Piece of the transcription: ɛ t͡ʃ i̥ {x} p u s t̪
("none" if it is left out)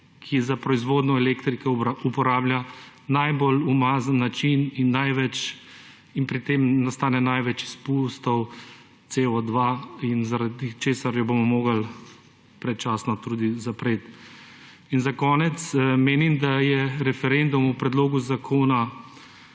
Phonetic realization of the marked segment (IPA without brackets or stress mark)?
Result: s